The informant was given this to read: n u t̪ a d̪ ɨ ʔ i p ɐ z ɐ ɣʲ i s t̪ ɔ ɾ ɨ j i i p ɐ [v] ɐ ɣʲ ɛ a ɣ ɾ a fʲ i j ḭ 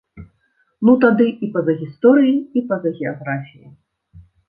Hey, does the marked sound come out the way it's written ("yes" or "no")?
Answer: no